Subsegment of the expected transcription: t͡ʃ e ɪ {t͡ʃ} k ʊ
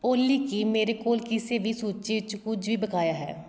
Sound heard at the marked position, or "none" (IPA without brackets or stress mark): t͡ʃ